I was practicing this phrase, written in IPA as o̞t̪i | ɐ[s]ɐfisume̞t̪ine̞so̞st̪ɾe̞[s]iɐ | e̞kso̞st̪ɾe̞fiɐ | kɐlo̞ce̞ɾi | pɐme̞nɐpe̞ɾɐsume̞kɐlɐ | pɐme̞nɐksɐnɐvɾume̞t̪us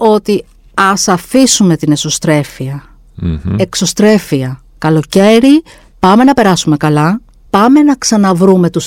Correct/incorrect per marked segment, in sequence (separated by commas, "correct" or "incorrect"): correct, incorrect